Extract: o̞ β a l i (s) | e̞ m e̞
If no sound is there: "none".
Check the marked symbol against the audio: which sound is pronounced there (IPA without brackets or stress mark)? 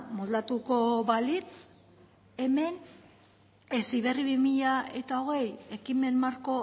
t͡s